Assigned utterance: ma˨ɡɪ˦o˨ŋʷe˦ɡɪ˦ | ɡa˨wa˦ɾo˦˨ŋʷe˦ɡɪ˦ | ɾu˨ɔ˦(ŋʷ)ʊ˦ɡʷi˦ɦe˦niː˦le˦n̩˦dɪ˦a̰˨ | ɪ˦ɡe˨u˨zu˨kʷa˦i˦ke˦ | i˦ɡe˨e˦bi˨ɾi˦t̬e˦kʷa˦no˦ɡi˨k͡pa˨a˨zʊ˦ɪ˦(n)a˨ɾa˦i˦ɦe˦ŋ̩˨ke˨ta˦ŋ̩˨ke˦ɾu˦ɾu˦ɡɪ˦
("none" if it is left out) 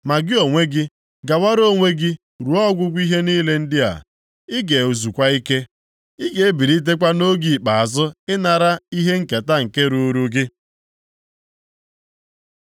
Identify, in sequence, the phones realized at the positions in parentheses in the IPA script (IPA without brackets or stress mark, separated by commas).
ɡʷ, n